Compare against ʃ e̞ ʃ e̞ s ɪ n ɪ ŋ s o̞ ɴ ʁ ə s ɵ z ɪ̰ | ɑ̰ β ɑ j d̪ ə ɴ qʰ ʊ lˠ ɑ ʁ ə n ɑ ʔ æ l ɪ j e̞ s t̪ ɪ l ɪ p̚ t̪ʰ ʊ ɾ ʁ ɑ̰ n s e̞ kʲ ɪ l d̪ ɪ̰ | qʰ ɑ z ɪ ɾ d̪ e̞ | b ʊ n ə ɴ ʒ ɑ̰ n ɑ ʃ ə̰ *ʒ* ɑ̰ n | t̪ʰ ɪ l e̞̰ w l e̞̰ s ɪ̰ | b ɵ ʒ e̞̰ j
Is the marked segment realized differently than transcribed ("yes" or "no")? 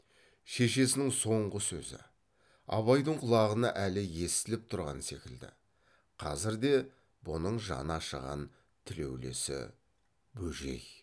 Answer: yes